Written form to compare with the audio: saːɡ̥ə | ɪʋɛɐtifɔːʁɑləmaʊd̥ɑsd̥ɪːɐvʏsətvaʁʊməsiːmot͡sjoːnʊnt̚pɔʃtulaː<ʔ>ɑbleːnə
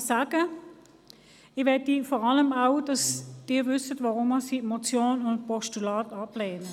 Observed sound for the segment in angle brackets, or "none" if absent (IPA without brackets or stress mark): t